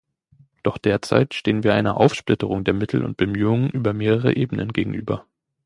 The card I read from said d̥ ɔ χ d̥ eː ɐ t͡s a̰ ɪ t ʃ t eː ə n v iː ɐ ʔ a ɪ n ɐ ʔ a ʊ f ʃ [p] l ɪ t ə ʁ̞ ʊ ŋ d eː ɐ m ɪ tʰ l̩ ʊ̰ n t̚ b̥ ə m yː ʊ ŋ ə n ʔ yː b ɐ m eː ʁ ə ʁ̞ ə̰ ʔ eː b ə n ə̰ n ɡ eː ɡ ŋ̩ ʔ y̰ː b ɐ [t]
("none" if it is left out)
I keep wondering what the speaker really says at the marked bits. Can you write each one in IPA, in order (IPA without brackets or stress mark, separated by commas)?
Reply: p, none